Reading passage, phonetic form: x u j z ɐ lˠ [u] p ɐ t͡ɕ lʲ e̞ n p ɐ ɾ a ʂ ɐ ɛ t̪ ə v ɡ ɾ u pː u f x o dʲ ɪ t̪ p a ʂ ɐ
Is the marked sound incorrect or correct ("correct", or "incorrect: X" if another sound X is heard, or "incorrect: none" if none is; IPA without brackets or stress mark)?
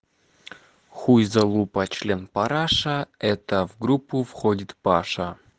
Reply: correct